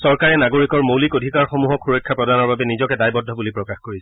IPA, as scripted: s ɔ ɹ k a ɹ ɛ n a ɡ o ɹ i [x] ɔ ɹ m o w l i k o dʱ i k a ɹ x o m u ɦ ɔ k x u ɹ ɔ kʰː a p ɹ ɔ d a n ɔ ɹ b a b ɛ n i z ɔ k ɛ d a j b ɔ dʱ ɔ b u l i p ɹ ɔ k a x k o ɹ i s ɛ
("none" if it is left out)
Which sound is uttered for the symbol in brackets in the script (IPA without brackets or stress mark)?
k